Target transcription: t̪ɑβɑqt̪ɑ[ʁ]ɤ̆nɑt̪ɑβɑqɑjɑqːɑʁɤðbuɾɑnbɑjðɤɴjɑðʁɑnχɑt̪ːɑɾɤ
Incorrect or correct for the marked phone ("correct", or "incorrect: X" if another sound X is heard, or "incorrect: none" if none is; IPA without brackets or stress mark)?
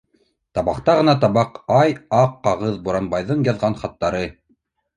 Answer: correct